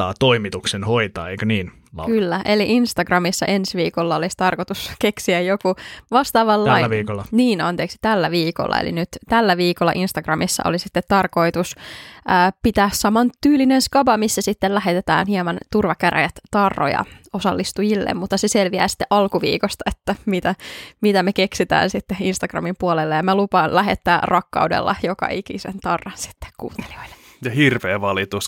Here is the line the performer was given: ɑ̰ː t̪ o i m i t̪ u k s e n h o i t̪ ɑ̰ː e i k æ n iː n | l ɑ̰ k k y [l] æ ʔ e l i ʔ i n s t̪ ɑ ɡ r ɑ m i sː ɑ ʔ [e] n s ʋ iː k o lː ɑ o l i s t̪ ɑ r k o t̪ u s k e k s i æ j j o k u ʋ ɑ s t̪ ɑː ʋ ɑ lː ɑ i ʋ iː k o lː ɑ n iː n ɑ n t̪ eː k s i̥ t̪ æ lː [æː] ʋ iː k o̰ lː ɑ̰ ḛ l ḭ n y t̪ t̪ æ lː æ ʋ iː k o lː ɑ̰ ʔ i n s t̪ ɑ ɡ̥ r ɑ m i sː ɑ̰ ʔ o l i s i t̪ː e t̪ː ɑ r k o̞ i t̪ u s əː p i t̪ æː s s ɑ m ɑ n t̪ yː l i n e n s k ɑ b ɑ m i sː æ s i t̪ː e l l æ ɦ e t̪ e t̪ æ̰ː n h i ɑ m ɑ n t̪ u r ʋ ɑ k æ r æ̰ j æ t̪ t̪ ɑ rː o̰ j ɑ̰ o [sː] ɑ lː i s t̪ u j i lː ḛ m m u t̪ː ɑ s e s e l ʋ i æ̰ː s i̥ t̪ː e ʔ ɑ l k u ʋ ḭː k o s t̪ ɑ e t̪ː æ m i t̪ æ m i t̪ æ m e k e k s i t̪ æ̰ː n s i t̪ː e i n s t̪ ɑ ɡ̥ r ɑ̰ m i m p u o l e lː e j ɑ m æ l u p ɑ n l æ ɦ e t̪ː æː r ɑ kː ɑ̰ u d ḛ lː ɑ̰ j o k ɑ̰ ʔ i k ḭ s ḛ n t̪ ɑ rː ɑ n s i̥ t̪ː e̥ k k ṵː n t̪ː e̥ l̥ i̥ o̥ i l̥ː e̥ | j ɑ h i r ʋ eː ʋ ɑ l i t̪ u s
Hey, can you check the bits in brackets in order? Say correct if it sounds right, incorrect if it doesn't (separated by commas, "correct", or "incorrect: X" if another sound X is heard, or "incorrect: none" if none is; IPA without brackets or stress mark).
incorrect: lː, correct, incorrect: æ, incorrect: s